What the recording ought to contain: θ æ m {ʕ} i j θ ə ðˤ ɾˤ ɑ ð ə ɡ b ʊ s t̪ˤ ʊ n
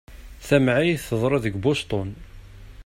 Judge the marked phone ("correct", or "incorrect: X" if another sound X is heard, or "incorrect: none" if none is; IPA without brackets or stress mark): correct